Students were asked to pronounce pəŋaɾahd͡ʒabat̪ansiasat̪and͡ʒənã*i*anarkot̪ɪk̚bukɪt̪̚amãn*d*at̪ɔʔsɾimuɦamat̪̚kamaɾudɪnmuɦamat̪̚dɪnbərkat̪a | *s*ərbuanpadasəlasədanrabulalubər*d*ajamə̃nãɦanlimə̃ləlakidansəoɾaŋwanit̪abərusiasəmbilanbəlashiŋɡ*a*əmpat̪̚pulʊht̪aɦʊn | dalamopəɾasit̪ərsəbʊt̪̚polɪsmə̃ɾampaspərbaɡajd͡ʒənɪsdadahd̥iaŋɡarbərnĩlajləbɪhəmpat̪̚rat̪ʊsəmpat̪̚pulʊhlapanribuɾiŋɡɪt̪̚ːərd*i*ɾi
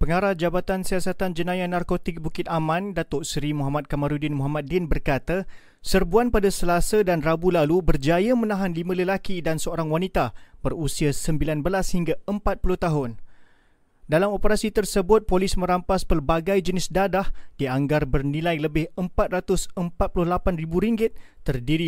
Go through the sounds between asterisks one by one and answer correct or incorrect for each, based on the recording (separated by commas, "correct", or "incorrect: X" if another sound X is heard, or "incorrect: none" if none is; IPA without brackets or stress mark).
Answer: incorrect: j, correct, correct, incorrect: d͡ʒ, correct, correct